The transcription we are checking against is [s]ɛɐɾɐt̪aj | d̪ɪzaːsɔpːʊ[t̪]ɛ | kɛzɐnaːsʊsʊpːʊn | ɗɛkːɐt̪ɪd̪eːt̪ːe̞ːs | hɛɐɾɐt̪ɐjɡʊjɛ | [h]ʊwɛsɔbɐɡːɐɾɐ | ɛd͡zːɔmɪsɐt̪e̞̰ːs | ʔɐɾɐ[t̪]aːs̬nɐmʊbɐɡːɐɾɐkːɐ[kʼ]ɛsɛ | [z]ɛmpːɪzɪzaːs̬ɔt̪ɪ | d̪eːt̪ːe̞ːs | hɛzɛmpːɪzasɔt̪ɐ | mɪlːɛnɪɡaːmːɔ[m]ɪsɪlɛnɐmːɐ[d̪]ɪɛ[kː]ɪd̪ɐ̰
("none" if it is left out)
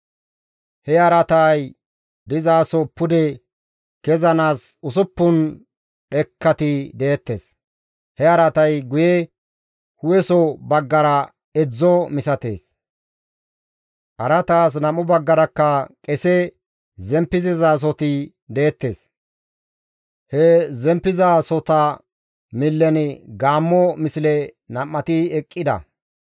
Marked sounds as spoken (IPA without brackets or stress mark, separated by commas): h, d̪, h, t̪, kʼ, z, m, t̪, kʼː